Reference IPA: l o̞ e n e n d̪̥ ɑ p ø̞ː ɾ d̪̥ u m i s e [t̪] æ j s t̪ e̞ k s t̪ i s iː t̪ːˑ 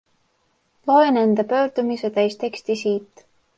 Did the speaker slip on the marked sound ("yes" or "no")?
no